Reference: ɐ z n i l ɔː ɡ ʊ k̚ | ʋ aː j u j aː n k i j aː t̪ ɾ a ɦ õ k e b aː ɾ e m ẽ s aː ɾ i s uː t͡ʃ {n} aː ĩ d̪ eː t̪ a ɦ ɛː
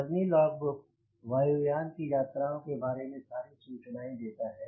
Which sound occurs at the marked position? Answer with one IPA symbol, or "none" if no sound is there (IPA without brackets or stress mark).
n